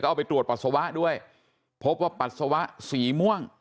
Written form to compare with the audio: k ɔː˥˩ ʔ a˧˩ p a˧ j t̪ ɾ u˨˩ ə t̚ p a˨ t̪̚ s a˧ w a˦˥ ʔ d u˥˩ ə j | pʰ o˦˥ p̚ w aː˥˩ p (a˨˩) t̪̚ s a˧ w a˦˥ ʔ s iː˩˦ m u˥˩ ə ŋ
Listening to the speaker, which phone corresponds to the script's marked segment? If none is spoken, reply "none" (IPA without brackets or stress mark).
a˨˩